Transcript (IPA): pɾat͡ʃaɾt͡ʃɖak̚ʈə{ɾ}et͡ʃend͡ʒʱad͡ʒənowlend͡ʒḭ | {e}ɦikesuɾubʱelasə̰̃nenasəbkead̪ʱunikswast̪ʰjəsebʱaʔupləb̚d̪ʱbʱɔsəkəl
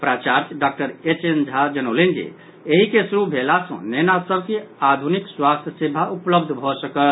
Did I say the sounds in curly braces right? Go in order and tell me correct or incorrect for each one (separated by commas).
correct, correct